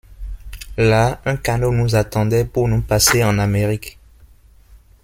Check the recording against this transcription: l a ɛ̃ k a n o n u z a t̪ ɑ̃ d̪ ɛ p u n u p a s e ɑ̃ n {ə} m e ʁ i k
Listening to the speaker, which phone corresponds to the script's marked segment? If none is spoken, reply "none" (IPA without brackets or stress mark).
a